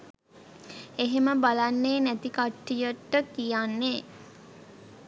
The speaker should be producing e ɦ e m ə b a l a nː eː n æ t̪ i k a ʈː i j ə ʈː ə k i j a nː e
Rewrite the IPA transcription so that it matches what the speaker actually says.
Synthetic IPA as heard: e ɦ e m ə b a l a nː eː n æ t̪ i k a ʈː i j ə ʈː ə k i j a nː e